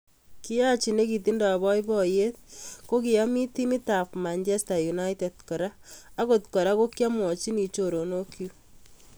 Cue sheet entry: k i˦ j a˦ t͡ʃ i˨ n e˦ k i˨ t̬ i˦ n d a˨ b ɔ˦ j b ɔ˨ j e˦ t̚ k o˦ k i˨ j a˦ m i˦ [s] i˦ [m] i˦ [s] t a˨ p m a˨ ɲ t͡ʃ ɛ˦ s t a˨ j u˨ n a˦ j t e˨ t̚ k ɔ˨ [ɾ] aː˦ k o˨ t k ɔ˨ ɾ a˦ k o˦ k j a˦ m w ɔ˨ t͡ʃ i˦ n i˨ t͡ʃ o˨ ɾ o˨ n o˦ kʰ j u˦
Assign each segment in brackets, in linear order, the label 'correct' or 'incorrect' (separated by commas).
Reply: incorrect, correct, incorrect, correct